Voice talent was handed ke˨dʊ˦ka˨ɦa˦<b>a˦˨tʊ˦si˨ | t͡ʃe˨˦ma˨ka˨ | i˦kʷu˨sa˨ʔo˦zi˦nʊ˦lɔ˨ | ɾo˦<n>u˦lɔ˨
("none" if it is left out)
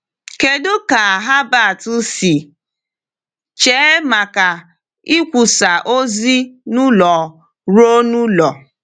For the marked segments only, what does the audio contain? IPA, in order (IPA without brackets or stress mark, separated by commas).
b, n